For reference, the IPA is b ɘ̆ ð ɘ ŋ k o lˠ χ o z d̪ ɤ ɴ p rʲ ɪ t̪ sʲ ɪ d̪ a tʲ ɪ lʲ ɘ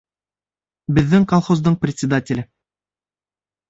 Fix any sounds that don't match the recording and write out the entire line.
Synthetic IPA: b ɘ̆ ðː ɘ ŋ k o lˠ χ o z d̪ ɤ ɴ p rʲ ɪ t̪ sʲ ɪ d̪ a tʲ ɪ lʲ ɘ